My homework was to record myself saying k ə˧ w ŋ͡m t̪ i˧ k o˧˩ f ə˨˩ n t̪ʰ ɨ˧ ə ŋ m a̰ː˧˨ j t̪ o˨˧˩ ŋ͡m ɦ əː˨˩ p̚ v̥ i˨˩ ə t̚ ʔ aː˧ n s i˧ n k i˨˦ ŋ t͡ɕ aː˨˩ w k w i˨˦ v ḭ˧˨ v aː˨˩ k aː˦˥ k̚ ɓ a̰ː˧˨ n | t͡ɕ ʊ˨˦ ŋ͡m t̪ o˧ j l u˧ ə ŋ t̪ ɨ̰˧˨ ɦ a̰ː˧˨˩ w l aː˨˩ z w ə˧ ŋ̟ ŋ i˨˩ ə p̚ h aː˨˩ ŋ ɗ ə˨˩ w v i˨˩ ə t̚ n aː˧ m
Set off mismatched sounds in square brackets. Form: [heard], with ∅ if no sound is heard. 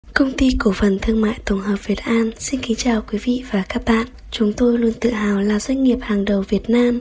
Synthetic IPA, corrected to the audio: k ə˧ w ŋ͡m t̪ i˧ k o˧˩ f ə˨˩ n t̪ʰ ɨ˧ ə ŋ m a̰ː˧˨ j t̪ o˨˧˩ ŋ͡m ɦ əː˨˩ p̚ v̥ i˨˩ ə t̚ ʔ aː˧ n s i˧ n k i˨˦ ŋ t͡ɕ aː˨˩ w k w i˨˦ v ḭ˧˨ v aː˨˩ k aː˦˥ k̚ ɓ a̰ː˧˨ n | t͡ɕ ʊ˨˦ ŋ͡m t̪ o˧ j l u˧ ə [n] t̪ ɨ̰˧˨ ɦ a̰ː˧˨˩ w l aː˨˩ z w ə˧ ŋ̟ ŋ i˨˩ ə p̚ h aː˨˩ ŋ ɗ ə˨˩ w v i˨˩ ə t̚ n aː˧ m